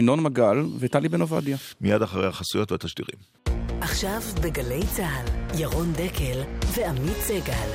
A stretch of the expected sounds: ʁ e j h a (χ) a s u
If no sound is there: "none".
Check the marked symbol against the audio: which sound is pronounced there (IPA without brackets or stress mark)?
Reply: χ